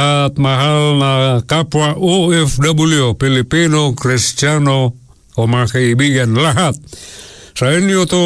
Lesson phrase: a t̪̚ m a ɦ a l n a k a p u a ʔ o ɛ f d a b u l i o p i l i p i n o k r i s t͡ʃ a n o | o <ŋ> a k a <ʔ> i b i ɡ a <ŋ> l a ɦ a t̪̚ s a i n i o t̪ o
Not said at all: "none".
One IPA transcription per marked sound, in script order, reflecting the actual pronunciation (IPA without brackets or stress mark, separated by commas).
m, none, n